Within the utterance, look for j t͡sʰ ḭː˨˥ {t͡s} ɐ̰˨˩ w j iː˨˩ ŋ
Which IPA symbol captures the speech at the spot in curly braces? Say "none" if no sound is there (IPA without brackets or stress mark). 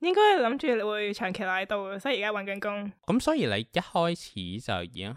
t͡s